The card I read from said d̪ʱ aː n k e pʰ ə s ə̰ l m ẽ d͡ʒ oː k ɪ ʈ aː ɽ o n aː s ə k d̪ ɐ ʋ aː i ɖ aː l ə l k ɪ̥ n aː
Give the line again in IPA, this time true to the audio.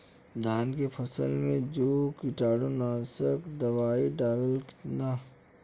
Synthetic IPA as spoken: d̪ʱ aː n k e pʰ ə s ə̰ l m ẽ d͡ʒ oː k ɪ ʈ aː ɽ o n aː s ə k d̪ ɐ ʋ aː i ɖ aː l ə l k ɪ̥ n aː